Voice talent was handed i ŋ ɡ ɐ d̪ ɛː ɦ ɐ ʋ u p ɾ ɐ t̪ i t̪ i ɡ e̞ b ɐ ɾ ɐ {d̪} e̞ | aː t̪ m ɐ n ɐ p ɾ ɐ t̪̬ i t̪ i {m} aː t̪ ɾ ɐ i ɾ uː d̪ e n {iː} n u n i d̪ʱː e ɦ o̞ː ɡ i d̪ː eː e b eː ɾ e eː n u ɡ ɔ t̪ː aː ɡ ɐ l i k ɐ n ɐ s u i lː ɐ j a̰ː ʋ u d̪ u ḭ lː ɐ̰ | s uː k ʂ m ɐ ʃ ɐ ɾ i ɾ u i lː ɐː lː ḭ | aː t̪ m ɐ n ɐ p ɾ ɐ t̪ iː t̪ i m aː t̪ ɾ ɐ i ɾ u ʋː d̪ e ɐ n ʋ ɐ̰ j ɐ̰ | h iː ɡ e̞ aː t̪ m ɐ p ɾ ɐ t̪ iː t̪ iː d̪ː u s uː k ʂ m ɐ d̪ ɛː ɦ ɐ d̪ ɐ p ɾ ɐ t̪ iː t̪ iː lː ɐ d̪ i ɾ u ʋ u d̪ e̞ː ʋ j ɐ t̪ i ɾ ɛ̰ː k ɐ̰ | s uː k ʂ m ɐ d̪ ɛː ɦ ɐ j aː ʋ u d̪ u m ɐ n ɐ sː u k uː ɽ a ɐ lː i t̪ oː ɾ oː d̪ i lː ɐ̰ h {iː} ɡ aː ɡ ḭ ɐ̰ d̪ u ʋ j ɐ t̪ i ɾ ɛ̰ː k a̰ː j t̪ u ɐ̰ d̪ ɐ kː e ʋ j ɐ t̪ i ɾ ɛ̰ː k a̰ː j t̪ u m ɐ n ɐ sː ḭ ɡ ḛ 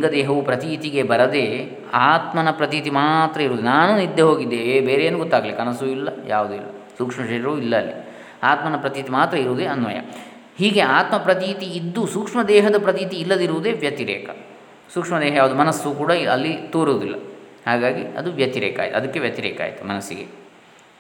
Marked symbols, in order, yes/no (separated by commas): yes, yes, no, no